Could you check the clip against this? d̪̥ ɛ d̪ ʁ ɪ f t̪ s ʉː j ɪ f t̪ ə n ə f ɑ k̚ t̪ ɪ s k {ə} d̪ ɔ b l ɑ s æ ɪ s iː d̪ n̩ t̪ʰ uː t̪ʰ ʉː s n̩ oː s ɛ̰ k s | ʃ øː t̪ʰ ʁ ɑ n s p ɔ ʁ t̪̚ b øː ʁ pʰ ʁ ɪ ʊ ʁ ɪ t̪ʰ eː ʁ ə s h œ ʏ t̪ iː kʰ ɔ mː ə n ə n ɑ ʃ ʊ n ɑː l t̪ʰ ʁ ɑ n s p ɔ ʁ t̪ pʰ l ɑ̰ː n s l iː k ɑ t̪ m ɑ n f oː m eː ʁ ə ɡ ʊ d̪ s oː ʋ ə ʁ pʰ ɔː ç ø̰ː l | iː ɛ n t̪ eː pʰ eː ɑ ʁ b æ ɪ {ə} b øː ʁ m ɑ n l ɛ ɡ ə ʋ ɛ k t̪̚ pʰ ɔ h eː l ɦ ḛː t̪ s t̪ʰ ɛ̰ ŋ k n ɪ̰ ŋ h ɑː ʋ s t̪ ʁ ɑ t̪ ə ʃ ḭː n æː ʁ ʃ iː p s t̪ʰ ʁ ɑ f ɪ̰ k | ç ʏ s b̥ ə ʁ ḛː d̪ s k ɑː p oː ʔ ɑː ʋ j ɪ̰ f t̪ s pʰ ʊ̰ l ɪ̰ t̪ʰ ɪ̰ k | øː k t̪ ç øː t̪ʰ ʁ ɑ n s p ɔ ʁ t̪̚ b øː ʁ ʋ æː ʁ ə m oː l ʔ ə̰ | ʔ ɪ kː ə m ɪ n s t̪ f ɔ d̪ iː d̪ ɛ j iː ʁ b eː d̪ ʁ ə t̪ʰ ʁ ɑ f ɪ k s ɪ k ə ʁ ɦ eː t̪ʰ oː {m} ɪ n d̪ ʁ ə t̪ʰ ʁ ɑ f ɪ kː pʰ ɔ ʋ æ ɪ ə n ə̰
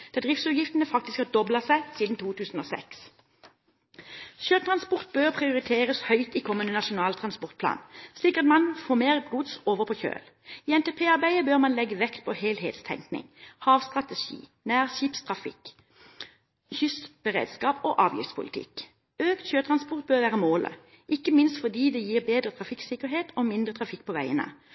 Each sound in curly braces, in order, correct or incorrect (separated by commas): incorrect, correct, correct